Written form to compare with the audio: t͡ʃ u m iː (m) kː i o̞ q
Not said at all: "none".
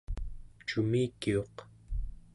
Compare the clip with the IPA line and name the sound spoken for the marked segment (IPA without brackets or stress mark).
none